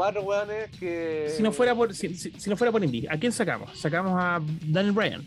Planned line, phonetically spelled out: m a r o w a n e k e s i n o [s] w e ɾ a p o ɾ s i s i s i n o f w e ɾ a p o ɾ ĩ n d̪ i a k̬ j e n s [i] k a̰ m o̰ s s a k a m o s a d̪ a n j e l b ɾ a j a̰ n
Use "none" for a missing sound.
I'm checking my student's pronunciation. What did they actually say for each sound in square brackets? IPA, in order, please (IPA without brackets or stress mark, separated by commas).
f, a